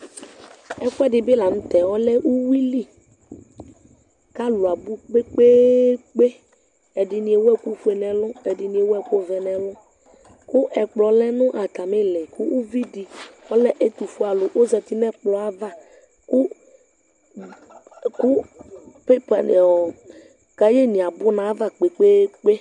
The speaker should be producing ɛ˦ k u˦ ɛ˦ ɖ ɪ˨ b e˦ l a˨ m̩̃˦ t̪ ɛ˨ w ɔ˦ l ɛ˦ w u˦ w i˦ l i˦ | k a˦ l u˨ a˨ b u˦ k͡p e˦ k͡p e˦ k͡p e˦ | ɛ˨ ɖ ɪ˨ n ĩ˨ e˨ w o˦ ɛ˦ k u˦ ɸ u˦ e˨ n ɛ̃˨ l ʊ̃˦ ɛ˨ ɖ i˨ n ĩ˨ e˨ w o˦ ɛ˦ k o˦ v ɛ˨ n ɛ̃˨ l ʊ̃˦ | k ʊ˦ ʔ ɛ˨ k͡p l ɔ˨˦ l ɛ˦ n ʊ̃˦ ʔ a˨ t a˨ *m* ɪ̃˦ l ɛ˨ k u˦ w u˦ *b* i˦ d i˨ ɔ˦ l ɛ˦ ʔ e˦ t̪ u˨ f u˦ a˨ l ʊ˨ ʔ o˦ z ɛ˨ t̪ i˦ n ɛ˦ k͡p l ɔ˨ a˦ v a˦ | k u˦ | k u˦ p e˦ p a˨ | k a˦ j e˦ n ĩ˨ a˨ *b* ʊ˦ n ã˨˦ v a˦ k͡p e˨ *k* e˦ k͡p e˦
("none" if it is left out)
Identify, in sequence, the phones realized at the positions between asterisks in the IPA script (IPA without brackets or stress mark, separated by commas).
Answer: m, v, b, k͡p